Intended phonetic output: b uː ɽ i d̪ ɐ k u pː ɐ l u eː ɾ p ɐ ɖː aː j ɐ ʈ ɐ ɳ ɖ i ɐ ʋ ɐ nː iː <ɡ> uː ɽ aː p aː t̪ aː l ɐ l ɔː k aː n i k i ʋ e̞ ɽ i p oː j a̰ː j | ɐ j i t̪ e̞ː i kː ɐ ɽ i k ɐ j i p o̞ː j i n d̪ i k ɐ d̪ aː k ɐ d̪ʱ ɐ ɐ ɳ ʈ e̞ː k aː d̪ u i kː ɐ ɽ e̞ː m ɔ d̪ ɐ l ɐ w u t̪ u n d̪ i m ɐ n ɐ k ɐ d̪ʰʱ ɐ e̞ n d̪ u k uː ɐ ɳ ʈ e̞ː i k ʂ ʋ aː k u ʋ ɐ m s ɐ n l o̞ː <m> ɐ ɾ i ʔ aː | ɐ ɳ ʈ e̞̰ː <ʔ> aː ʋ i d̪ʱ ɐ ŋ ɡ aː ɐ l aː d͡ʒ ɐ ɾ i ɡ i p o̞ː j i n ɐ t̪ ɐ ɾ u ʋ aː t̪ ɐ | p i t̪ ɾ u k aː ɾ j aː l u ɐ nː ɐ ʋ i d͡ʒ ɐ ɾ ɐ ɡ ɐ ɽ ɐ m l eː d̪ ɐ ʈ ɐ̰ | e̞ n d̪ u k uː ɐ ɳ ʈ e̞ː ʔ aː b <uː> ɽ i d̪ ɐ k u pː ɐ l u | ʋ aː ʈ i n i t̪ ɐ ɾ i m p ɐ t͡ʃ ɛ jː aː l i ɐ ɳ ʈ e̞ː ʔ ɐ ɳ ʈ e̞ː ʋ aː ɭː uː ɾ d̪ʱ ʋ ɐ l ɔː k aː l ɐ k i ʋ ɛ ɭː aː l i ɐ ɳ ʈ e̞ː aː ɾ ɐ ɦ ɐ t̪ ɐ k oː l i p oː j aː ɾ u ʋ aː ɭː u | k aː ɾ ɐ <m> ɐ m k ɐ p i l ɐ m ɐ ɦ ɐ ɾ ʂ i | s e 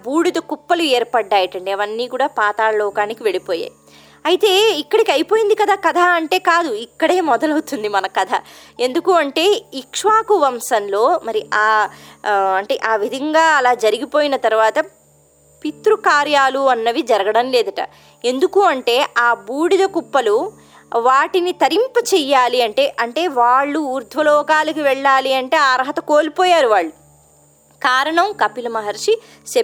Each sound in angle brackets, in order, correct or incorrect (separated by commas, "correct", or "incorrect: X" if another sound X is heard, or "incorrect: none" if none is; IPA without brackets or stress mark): incorrect: k, correct, correct, correct, incorrect: ɳ